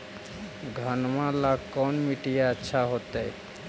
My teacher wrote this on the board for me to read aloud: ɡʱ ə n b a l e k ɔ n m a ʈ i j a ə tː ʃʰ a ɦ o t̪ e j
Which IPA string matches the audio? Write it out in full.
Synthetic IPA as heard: ɡʱ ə n m a l a k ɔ n m i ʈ i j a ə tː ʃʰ a ɦ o t̪ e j